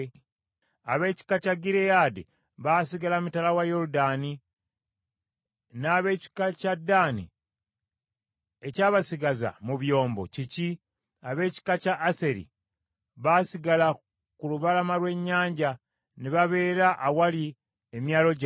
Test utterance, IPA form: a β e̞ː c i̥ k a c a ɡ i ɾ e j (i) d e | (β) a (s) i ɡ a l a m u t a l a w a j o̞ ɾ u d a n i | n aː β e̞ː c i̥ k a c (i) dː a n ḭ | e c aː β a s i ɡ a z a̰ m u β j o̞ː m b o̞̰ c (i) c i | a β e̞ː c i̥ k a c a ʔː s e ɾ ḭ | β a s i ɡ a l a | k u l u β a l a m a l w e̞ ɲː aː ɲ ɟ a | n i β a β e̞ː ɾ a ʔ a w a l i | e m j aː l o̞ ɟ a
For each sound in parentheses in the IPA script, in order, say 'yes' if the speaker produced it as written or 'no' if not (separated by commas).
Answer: no, yes, yes, no, yes